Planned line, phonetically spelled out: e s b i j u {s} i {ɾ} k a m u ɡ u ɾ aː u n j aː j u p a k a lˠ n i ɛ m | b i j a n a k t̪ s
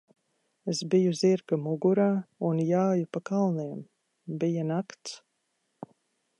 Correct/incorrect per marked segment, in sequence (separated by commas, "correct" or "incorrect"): incorrect, correct